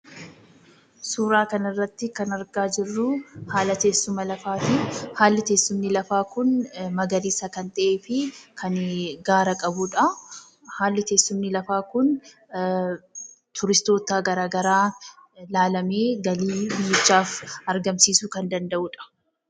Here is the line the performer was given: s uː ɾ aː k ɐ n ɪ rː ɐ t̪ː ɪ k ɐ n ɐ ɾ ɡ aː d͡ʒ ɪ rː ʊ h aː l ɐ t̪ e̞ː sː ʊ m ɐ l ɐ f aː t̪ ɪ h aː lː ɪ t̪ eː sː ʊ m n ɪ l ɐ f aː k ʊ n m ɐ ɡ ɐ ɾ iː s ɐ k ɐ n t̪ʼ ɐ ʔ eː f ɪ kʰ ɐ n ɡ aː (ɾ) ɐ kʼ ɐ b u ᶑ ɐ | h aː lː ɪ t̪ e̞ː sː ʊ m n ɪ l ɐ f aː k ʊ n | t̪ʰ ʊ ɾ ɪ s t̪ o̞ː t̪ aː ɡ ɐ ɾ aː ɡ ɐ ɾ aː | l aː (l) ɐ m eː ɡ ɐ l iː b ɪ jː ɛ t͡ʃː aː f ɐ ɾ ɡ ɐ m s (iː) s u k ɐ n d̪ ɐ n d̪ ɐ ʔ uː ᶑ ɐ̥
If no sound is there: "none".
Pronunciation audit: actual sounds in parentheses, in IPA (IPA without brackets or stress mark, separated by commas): ɾ, l, iː